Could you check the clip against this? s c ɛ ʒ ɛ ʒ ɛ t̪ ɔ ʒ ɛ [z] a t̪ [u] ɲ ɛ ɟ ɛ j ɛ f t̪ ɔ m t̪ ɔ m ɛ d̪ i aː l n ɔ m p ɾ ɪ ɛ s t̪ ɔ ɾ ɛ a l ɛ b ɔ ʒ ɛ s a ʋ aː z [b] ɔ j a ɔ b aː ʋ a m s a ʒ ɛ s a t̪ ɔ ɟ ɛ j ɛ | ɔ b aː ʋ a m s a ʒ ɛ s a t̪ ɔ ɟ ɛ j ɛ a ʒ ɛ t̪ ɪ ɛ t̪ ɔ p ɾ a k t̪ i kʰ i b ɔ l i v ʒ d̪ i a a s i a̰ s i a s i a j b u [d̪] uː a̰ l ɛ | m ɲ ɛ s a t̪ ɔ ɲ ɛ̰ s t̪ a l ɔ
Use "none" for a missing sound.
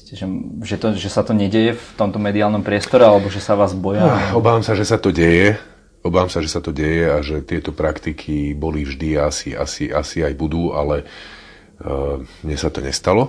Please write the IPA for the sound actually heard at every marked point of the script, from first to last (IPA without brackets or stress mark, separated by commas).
s, ɔ, b, d̪